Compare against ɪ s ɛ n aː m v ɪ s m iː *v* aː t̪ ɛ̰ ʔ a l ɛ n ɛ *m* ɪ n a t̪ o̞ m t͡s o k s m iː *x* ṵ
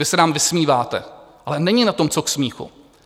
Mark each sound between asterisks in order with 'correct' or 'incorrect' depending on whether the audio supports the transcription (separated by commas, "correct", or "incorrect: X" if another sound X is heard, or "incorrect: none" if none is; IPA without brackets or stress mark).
correct, incorrect: ɲ, correct